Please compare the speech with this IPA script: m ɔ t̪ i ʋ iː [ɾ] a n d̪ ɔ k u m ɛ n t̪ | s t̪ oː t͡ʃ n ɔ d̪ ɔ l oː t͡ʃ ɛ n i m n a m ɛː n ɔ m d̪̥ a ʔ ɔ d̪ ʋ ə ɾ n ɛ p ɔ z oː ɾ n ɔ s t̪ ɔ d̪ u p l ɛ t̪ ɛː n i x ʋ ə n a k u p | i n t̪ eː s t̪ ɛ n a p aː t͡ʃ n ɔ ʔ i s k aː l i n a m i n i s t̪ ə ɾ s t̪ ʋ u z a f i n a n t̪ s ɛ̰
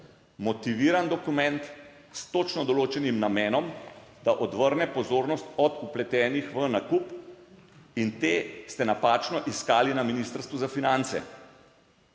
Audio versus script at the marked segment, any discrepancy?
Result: no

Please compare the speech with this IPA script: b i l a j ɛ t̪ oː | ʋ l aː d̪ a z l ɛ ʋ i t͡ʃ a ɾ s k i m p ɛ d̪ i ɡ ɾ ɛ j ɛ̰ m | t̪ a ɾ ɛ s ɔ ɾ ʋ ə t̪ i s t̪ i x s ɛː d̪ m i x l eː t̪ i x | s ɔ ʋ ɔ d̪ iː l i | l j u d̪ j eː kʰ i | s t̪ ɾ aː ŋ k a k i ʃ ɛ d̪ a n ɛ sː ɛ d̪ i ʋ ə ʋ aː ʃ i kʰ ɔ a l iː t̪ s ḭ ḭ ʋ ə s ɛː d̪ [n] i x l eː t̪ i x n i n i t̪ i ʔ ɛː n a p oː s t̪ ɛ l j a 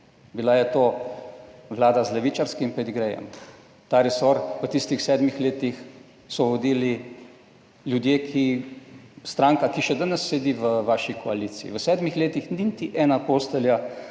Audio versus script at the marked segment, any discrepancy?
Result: yes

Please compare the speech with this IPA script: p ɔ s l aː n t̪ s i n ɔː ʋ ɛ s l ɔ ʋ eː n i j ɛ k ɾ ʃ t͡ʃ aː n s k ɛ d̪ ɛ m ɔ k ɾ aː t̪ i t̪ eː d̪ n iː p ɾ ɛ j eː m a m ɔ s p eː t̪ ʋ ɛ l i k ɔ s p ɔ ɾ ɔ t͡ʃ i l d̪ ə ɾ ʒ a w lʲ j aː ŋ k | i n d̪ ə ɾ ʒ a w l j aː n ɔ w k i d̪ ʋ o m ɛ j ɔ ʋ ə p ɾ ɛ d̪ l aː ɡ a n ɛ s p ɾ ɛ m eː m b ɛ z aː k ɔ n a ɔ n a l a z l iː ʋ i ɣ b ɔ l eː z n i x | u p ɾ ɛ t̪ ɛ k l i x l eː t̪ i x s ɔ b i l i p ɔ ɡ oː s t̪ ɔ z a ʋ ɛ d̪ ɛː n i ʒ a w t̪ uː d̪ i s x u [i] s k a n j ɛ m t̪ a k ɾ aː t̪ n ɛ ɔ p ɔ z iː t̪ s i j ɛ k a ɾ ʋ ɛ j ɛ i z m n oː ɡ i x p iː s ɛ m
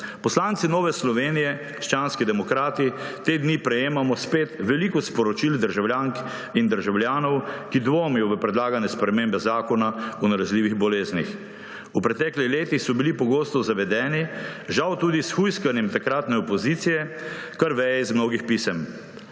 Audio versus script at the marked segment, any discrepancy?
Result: yes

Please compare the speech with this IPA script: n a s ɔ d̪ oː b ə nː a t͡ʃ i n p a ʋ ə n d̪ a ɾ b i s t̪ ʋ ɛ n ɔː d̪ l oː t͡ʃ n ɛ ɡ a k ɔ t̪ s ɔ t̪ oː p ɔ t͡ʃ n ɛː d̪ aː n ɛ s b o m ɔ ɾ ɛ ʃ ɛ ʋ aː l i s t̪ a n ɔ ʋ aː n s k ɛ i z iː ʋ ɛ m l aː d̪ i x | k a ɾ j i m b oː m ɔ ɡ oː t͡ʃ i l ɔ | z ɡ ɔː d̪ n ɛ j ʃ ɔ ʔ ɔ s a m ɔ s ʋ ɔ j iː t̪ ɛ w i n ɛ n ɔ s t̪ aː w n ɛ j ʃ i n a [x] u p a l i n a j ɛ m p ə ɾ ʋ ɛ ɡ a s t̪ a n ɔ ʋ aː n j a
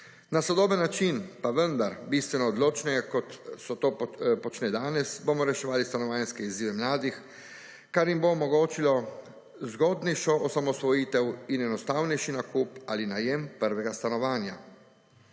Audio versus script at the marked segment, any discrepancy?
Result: yes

